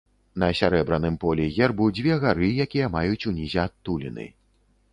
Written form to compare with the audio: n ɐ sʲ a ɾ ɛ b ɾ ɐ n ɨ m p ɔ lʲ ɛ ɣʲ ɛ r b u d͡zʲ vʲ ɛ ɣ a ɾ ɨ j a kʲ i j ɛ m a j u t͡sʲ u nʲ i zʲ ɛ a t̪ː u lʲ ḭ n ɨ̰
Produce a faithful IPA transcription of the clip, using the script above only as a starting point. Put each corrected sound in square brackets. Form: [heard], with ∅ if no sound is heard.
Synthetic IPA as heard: n ɐ sʲ a ɾ ɛ b ɾ ɐ n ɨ m p ɔ lʲ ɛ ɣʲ ɛ r b u d͡zʲ vʲ ɛ ɣ a ɾ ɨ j a kʲ i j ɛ m a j u t͡sʲ u nʲ i zʲ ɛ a t̪ː u lʲ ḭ n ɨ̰

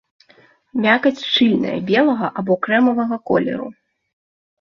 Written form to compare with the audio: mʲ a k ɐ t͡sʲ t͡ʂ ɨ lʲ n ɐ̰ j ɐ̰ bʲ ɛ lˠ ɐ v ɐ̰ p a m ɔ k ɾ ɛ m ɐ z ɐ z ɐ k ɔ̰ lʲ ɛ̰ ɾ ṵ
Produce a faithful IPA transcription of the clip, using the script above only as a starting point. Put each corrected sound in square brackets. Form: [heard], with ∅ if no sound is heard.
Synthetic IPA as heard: mʲ a k ɐ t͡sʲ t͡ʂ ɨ lʲ n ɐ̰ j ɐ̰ bʲ ɛ lˠ ɐ [ɣ] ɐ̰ [ʔ] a [b] ɔ k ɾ ɛ m ɐ [v] ɐ [ɣ] ɐ k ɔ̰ lʲ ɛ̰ ɾ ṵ

